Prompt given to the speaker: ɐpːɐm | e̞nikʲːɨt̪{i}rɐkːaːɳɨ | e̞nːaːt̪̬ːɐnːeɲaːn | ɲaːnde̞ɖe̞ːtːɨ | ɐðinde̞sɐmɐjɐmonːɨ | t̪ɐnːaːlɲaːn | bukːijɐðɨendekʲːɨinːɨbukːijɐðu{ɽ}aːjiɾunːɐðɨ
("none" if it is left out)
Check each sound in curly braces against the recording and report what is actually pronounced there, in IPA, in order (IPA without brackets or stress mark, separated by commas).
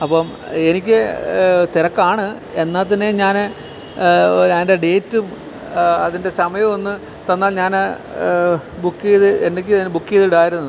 i, ɽ